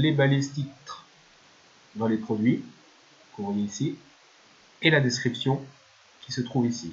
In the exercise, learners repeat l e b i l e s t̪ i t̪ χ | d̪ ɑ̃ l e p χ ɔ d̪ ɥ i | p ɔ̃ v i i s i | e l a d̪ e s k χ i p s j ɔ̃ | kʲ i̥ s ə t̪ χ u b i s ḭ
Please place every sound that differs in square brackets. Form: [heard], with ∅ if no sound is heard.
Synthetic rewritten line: l e b [a] l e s t̪ i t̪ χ | d̪ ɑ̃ l e p χ ɔ d̪ ɥ i | [k] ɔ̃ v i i s i | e l a d̪ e s k χ i p s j ɔ̃ | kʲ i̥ s ə t̪ χ u [v] i s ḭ